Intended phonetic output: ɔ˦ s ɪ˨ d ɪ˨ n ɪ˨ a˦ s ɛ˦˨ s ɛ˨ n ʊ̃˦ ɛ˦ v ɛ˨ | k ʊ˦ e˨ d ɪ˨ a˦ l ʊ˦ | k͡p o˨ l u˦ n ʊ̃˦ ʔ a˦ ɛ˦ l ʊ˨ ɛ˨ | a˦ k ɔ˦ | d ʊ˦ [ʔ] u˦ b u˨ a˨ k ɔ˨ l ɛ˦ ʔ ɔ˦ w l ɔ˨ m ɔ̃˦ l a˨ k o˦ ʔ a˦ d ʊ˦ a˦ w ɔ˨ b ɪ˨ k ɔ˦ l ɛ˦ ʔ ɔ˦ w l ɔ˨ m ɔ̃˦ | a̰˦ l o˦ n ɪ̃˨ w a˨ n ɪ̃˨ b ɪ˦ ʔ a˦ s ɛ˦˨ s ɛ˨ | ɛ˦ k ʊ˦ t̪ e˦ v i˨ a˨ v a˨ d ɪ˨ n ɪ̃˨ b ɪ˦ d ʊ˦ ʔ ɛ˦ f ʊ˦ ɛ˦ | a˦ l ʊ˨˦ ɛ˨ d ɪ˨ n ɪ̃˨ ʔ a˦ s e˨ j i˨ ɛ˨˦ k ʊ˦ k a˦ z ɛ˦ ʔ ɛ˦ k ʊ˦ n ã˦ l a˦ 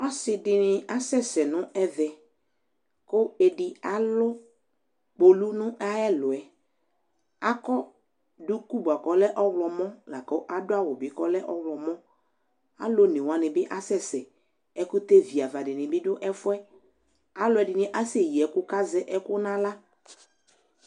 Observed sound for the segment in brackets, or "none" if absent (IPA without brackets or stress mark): k